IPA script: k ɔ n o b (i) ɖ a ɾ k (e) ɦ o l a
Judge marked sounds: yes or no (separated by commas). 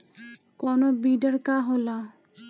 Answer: yes, no